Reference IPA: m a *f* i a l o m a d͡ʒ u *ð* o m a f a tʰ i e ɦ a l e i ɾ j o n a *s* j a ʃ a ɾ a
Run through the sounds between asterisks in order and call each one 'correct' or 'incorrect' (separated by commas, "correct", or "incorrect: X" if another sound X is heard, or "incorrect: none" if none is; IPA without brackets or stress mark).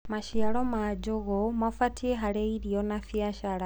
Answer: incorrect: ʃ, incorrect: ɣ, incorrect: f